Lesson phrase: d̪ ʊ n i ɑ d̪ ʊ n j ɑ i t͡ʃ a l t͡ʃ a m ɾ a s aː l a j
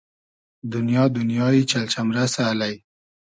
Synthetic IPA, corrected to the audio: d̪ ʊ n j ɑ d̪ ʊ n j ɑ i t͡ʃ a l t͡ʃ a m ɾ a s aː l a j